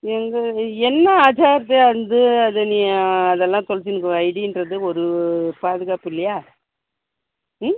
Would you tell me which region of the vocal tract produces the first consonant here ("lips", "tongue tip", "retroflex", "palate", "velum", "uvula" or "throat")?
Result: velum